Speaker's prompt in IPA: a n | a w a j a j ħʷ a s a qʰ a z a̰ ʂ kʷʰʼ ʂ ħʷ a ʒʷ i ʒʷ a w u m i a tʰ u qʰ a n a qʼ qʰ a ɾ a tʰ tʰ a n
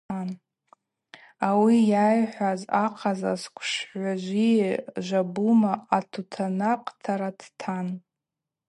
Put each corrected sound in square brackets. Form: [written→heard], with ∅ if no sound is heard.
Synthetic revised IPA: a n | a w [a→i] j a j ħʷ a [s→z] a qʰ a z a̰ [ʂ→s] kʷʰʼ ʂ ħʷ a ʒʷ i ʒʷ a [w→b] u m [i→a] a tʰ u [qʰ→tʰ] a n a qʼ [qʰ→tʰ] a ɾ a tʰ tʰ a n